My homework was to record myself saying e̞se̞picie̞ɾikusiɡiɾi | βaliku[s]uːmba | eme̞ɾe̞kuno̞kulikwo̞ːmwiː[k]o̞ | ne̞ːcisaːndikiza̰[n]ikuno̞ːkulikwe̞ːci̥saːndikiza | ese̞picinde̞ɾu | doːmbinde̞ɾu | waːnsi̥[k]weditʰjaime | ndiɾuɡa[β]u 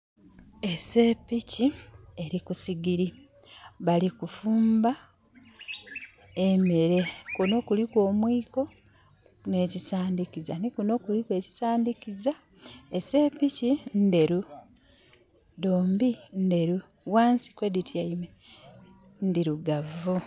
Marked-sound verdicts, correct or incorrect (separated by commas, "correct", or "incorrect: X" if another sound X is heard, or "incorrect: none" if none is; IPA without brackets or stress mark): incorrect: f, correct, correct, correct, incorrect: v